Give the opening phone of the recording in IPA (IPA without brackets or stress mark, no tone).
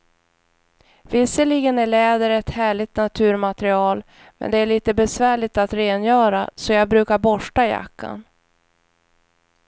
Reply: v